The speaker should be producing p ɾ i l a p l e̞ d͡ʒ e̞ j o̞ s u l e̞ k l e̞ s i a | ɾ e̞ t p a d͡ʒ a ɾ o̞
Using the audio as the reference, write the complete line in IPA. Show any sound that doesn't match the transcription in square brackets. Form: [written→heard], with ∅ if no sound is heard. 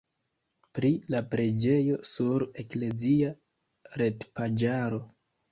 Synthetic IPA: p ɾ i l a p [l→ɾ] e̞ d͡ʒ e̞ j o̞ s u [l→ɾ] e̞ k l e̞ [s→z] i a | ɾ e̞ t p a d͡ʒ a ɾ o̞